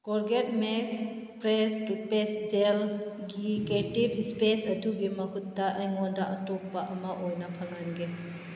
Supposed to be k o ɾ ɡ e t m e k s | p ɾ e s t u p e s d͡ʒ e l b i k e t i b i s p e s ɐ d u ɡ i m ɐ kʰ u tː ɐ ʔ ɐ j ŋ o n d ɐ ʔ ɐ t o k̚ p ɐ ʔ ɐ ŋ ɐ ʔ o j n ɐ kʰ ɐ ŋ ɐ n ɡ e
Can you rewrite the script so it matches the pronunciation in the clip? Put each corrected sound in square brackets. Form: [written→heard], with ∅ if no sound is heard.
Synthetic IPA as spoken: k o ɾ ɡ e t m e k s | p ɾ e s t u p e s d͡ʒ e l [b→ɡ] i k e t i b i s p e s ɐ d u ɡ i m ɐ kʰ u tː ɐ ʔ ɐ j ŋ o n d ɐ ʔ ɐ t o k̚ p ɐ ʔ ɐ [ŋ→m] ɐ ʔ o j n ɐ [kʰ→pʰ] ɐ ŋ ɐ n ɡ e

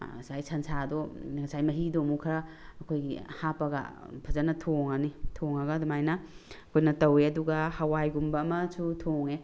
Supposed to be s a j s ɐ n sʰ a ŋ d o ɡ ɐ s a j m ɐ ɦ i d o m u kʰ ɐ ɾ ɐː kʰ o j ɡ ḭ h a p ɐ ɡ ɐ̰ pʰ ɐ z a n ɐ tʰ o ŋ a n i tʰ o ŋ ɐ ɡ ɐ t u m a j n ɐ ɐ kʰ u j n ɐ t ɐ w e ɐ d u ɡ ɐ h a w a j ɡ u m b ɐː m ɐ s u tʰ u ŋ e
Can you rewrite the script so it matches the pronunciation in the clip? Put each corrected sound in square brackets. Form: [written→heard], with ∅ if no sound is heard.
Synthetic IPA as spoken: s a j s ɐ n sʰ a [ŋ→∅] d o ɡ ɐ s a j m ɐ ɦ i d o m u kʰ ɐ ɾ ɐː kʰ o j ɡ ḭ h a p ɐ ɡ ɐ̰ pʰ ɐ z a n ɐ tʰ o ŋ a n i tʰ o ŋ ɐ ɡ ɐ [t→d] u m a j n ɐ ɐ kʰ [u→o] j n ɐ t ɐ w e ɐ d u ɡ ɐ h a w a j ɡ u m b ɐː m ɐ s u tʰ [u→o] ŋ e

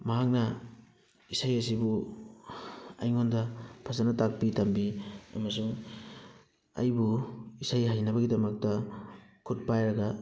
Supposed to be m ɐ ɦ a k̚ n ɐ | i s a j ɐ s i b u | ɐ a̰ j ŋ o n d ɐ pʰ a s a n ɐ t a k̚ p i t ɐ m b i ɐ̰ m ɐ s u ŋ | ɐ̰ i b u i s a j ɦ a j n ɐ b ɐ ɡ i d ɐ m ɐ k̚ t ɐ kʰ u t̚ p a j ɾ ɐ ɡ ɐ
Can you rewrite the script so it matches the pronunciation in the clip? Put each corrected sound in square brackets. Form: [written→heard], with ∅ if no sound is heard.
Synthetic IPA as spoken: m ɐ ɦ a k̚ n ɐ | i s a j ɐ s i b u | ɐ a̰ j ŋ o n d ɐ pʰ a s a n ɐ t a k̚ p i t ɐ m b i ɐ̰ m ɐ s u ŋ | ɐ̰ [i→j] b u i s a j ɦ a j n ɐ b ɐ ɡ i d ɐ m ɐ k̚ t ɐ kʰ u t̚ p a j ɾ ɐ ɡ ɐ

